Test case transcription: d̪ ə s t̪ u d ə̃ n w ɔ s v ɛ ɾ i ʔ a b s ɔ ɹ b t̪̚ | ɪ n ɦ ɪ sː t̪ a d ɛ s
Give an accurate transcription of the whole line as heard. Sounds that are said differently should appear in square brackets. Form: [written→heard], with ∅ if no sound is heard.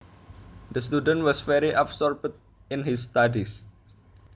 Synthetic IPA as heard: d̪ ə s t̪ u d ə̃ n w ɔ s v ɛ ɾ i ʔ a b s ɔ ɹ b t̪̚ | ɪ n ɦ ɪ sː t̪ a d [ɛ→i] s